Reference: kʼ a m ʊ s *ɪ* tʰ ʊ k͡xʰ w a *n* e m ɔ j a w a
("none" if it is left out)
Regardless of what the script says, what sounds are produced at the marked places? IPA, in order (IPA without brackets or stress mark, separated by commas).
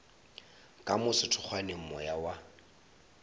ɪ, n